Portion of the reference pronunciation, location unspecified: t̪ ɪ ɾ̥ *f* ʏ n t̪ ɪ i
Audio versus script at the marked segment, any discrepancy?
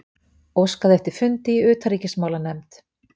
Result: no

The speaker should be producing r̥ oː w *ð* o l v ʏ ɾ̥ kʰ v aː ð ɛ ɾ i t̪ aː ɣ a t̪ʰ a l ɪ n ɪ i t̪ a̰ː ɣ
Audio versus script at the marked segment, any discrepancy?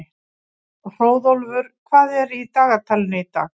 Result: no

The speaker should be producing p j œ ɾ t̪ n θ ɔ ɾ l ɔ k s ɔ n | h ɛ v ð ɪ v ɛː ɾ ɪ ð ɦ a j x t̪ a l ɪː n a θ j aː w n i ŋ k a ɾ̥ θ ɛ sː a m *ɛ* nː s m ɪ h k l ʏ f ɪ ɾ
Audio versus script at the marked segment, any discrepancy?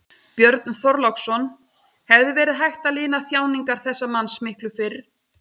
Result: yes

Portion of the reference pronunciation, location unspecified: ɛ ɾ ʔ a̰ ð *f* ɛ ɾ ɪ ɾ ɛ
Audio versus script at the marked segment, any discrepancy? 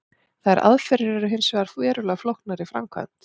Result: no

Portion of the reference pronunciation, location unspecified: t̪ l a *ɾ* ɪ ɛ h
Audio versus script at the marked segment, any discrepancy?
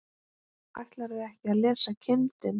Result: no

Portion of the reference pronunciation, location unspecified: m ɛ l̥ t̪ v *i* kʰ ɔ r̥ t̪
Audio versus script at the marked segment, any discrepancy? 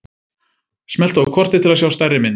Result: yes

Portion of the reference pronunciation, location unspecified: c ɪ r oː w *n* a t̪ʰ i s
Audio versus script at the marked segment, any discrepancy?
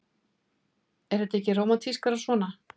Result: yes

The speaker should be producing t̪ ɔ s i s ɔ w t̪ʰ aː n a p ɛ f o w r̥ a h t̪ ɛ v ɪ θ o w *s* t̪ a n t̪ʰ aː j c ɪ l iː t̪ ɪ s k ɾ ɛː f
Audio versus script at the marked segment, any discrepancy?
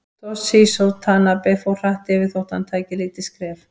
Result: yes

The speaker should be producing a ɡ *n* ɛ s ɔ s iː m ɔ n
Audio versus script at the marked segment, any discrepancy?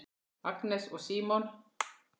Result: no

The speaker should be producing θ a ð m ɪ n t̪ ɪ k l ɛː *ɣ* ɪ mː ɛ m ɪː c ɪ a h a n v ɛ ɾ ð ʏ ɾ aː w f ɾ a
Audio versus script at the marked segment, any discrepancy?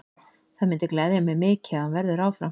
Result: yes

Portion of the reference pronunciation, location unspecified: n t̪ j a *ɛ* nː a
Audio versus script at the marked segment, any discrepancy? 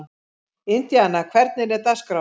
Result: yes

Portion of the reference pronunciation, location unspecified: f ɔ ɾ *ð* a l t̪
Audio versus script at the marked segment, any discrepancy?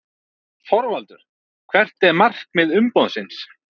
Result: yes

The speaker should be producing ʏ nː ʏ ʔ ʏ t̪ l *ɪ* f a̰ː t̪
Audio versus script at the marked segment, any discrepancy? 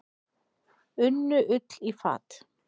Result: yes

